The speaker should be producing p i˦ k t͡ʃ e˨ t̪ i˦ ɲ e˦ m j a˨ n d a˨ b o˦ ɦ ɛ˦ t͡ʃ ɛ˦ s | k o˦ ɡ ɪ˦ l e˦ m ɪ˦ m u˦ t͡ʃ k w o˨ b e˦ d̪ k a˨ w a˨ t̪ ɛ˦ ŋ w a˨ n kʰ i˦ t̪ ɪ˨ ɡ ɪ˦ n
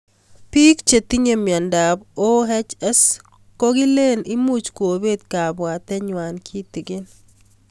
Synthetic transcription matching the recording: p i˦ k t͡ʃ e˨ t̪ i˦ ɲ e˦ m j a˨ n d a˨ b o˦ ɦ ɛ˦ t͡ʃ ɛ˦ s | k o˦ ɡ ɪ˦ l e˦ n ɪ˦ m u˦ t͡ʃ k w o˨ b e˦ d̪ k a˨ b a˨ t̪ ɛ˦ ɲ w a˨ n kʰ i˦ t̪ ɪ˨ ɡ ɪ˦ n